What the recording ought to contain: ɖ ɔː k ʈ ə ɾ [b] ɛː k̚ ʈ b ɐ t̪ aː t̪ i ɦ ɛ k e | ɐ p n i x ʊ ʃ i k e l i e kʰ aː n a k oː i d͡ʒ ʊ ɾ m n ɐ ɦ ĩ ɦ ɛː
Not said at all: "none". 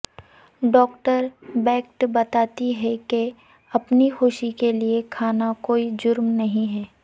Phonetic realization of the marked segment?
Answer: b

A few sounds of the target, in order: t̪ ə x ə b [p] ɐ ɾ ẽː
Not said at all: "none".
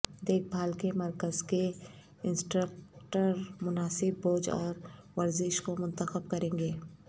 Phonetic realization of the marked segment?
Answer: k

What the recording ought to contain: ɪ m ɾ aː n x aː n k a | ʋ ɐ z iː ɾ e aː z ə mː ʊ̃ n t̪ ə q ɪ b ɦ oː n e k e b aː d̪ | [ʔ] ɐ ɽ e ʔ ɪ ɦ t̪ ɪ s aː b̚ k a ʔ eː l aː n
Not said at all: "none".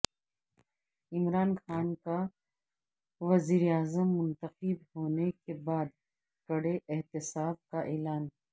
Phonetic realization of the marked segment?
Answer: k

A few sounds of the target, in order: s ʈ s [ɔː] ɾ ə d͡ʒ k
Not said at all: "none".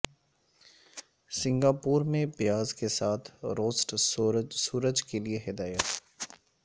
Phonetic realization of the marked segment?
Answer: uː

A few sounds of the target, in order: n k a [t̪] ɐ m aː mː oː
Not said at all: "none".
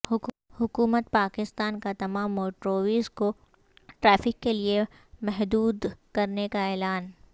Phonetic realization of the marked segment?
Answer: t̪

